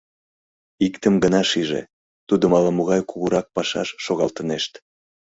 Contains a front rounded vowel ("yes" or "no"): no